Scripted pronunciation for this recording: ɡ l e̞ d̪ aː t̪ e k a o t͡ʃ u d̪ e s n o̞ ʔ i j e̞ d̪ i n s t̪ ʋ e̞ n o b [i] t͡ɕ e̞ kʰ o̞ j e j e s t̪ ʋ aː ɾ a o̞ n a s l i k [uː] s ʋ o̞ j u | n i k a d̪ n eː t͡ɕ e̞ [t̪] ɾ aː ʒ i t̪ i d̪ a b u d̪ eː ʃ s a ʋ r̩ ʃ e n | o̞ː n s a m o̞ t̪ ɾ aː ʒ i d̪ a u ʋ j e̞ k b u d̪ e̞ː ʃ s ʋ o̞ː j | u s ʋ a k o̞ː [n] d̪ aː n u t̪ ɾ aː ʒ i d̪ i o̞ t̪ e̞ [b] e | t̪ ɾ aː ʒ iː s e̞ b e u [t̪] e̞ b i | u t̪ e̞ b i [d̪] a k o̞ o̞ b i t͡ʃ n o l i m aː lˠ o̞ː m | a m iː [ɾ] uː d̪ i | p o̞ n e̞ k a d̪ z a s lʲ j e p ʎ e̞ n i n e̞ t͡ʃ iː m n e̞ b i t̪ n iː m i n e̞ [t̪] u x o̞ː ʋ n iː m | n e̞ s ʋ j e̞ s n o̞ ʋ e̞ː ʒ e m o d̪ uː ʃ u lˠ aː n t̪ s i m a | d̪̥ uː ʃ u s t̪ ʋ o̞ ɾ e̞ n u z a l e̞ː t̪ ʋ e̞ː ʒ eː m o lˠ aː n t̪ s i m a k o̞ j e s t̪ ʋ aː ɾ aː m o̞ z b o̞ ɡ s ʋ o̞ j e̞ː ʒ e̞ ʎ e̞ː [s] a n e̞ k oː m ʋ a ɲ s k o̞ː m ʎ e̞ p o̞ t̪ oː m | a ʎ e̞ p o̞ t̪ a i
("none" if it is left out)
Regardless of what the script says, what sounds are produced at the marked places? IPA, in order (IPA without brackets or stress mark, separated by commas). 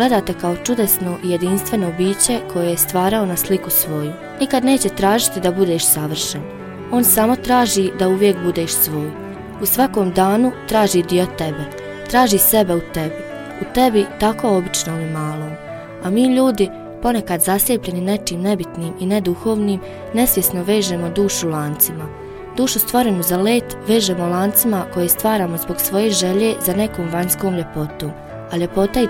iː, u, t̪, m, b, t̪, t̪, ʎ, d̪, z